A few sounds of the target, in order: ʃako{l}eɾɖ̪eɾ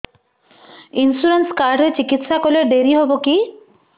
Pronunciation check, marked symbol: correct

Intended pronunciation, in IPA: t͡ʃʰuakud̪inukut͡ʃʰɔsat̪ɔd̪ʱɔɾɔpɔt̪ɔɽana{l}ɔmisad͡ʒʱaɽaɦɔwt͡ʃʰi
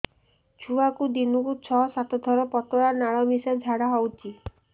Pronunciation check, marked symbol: incorrect: ɭ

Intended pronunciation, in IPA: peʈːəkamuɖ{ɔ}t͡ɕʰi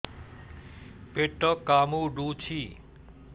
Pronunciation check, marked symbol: incorrect: u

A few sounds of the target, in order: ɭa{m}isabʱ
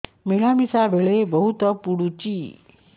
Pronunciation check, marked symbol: correct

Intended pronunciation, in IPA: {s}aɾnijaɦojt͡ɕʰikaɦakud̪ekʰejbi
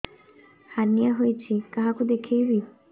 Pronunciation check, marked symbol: incorrect: h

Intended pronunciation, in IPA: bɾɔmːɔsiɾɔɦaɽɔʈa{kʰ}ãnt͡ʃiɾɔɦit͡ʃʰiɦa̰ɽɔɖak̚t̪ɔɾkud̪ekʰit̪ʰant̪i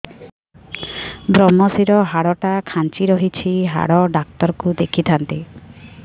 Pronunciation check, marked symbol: correct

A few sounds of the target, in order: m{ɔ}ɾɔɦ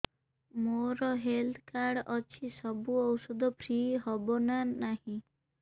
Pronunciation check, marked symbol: incorrect: o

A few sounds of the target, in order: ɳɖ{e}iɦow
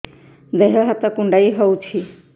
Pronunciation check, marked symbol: incorrect: a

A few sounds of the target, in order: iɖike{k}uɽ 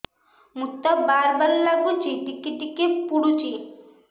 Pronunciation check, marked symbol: incorrect: p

